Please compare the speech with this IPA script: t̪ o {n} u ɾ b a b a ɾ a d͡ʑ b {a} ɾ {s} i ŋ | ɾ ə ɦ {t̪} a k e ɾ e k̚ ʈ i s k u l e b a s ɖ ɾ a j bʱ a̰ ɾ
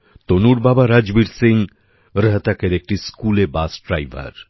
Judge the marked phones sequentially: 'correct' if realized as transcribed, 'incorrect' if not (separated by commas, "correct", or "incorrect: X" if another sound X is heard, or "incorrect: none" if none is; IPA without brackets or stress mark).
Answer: correct, incorrect: i, correct, correct